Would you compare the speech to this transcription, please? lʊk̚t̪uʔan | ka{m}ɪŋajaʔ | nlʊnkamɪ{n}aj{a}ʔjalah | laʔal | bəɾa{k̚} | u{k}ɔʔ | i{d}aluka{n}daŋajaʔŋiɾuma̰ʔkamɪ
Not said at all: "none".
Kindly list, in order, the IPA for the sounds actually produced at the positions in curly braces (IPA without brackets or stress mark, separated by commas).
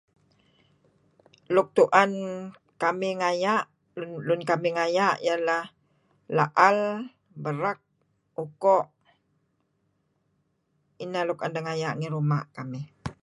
m, ŋ, a, k̚, k, n, n